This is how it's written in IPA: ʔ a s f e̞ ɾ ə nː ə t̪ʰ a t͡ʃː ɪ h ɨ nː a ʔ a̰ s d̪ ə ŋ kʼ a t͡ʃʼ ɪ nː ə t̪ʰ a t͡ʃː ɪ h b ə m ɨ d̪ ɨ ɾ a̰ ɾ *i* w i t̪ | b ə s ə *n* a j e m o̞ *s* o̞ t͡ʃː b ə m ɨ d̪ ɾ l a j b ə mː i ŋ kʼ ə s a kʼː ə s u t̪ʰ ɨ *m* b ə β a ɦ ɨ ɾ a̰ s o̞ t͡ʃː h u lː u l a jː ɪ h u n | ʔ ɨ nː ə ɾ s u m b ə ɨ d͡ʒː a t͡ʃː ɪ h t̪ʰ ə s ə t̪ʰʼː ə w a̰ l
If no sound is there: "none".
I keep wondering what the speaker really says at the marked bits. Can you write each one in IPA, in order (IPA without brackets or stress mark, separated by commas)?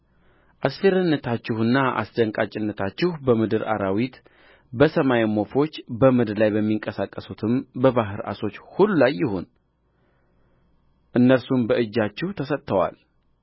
a, m, f, m